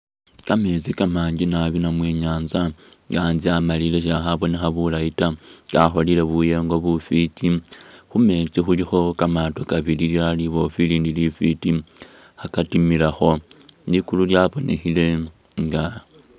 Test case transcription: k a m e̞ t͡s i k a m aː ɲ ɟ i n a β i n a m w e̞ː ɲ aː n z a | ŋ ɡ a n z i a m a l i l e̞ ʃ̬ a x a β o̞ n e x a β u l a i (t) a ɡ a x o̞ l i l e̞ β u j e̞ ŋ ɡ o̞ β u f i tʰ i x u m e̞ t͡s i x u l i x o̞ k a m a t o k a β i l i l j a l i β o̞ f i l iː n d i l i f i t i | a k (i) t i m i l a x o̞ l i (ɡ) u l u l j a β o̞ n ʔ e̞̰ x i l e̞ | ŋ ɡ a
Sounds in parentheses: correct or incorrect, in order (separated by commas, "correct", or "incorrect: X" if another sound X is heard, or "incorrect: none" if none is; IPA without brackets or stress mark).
correct, incorrect: a, incorrect: k